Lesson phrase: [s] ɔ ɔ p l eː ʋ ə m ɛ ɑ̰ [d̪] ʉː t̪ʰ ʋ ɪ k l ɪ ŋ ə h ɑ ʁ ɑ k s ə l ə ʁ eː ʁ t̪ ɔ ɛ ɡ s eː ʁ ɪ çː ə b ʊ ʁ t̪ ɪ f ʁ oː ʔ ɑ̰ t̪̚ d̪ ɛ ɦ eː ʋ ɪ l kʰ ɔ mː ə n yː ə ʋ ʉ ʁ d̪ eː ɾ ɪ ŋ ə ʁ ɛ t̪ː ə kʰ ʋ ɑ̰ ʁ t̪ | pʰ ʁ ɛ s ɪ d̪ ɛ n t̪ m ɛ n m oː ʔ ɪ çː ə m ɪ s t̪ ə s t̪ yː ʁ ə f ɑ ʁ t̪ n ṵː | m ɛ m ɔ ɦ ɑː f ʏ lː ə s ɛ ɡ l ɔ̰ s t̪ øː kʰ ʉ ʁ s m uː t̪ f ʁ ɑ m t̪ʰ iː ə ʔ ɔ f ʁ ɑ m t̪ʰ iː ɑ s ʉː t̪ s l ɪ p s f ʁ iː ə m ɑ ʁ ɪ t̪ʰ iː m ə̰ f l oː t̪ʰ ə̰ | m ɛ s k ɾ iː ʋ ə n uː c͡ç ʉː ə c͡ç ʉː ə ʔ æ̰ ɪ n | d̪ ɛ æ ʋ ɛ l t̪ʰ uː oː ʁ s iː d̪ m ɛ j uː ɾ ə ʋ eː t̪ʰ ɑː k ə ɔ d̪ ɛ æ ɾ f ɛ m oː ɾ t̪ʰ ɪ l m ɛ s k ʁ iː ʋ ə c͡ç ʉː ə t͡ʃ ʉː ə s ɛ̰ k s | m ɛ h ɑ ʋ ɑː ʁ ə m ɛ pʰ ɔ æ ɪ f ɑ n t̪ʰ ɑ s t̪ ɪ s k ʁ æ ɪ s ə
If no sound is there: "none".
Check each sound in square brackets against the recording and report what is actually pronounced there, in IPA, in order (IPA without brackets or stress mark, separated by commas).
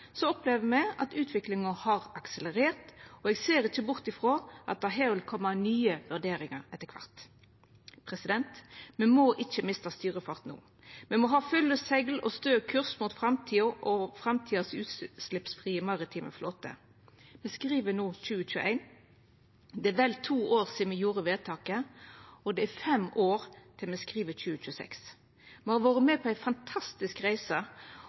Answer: s, t̪